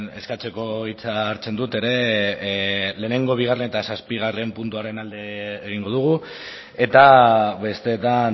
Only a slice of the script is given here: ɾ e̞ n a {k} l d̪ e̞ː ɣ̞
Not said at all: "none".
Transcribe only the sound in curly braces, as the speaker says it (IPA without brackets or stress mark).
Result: none